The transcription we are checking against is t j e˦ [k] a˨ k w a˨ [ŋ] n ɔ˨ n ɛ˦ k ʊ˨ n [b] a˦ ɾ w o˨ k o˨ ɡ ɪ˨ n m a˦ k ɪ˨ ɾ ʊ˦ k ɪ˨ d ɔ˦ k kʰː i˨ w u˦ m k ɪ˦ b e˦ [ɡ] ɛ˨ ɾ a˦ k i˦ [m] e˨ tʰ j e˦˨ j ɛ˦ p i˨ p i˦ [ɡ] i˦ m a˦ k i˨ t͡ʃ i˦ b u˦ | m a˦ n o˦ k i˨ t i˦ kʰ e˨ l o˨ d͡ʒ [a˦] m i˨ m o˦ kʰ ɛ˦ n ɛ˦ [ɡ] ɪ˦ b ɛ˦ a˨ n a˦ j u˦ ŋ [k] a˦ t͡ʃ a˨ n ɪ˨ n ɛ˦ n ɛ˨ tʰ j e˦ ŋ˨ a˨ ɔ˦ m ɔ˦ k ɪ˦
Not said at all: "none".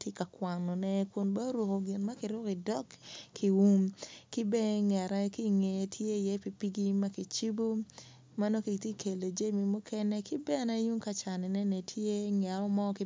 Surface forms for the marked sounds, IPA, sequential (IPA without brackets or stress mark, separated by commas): k, ŋ, b, ŋ, ŋ, ɡ, e˦, k, k